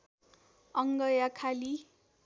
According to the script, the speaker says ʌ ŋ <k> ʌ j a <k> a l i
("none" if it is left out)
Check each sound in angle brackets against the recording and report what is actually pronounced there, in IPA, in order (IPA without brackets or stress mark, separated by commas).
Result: ɡ, kʰ